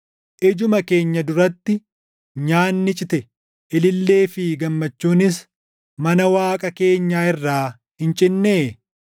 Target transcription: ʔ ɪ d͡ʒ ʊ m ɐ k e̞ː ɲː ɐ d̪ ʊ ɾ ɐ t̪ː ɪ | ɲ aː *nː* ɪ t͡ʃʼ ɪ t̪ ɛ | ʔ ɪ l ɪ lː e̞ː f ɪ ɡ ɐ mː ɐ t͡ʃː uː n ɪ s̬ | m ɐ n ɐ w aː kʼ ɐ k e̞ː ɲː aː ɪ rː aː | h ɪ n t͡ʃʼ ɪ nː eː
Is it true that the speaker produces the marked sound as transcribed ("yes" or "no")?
yes